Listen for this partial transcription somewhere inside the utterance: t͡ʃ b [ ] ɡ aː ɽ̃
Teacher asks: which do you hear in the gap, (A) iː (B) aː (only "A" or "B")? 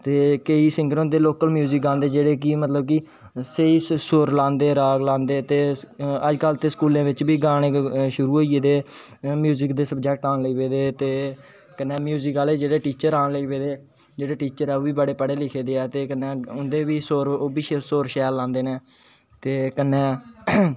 A